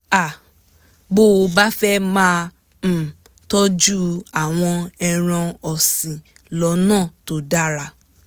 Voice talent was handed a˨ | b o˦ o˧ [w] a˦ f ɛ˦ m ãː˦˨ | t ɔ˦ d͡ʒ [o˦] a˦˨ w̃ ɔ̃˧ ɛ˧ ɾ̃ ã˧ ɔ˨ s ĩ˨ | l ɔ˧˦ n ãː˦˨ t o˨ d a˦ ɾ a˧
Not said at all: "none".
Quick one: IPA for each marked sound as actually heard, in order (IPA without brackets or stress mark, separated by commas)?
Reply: b, u˦